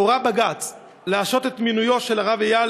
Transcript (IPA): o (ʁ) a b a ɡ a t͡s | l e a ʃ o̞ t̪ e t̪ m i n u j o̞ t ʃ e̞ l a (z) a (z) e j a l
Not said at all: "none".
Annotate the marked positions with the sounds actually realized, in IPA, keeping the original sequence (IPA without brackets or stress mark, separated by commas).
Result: ʁ, ʁ, v